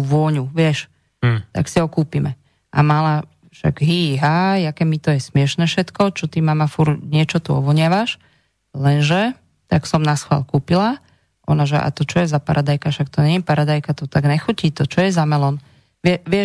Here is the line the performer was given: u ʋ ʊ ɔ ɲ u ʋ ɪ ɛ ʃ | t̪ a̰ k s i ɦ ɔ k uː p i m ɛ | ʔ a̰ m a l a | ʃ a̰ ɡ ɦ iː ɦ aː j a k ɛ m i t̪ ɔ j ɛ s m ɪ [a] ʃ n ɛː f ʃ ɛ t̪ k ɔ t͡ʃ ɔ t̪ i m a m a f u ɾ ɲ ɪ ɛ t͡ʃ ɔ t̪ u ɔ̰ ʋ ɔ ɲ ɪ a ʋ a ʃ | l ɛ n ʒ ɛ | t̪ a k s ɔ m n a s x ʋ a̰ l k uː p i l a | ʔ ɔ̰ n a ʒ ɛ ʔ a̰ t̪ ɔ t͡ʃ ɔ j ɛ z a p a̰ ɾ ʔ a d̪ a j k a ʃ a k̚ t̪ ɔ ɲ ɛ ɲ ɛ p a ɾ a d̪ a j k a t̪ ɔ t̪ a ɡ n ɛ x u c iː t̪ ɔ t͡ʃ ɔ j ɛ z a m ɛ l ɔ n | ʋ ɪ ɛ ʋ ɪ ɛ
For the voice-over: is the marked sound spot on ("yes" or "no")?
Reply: no